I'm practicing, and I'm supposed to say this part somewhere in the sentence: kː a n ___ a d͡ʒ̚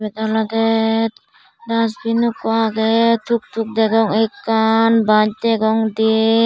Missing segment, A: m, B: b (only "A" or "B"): B